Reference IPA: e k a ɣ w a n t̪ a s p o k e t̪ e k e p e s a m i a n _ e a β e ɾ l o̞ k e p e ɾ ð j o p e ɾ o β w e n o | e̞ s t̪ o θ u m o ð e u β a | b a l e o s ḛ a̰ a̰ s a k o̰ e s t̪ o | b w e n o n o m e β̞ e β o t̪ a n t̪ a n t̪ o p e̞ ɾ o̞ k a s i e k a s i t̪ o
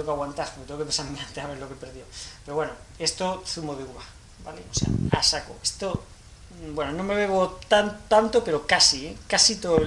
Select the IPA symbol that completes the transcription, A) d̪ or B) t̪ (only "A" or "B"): B